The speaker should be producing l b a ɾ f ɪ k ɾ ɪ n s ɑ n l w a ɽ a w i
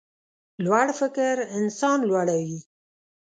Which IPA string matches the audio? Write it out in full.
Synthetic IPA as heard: l w a ɽ f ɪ k ɾ ɪ n s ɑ n l w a ɽ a w i